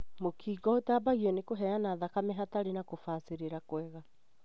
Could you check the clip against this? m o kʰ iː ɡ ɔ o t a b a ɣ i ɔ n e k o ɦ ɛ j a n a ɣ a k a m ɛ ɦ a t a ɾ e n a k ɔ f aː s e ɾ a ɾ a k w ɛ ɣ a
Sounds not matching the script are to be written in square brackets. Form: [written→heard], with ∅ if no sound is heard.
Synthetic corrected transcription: m o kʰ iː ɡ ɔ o t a b a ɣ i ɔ n e k o ɦ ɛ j a n a [ɣ→ð] a k a m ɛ ɦ a t a ɾ e n a k [ɔ→o] f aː s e ɾ [a→e] ɾ a k w ɛ ɣ a